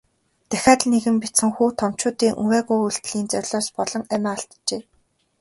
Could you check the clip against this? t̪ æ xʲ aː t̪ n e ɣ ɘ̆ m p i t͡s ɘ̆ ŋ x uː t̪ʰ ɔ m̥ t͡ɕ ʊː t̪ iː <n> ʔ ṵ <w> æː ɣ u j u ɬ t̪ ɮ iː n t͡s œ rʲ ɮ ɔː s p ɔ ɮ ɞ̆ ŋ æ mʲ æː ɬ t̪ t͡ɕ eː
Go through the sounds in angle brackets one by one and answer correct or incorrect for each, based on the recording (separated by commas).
incorrect, correct